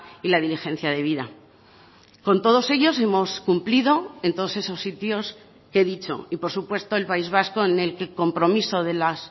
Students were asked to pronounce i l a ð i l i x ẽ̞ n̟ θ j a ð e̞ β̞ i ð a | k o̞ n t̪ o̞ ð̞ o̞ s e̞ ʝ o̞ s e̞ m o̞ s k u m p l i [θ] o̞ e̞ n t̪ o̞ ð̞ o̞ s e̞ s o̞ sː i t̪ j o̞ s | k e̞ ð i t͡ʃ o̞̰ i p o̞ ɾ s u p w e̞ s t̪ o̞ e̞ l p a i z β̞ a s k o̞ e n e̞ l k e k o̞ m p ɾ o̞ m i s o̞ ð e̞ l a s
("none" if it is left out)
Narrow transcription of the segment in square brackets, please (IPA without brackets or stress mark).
ð